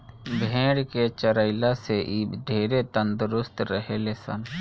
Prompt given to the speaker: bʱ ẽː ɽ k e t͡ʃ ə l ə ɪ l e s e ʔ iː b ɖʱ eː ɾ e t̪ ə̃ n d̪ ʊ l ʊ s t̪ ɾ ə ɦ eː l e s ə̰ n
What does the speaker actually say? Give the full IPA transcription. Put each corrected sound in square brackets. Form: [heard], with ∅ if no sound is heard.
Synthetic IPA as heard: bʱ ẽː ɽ k e t͡ʃ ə [ɾ] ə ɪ l [a] s e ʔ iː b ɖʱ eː ɾ e t̪ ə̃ n d̪ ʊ [ɾ] ʊ s t̪ ɾ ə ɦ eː l e s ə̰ n